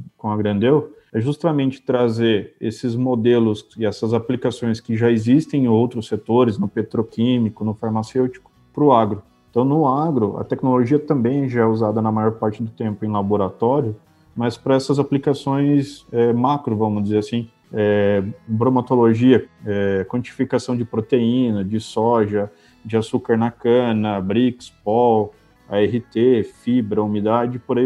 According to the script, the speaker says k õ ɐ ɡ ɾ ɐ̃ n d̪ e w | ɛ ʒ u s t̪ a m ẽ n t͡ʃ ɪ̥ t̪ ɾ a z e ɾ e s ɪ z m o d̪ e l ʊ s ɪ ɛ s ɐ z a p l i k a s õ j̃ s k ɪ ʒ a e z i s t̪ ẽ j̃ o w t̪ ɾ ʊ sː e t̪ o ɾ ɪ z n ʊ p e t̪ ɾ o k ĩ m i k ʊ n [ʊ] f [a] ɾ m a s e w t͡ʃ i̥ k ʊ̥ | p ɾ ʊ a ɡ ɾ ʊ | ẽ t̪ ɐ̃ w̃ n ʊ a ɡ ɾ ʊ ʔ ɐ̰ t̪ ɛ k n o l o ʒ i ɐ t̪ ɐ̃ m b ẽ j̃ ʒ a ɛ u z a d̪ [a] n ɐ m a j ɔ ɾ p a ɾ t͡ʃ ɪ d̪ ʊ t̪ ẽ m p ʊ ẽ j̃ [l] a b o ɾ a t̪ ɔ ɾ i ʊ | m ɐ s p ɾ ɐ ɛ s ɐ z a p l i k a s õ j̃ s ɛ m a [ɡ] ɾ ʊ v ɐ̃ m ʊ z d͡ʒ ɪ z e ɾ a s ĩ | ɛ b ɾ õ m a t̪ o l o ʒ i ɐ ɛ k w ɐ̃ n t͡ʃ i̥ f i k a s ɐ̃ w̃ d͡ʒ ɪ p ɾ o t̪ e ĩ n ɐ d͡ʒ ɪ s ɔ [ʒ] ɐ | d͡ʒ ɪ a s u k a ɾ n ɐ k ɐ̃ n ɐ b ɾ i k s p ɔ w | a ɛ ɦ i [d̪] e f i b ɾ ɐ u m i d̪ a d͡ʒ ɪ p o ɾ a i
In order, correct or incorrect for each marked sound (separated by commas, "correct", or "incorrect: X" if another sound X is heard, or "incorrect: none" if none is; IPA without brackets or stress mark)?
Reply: correct, correct, incorrect: ɐ, correct, incorrect: k, correct, incorrect: t̪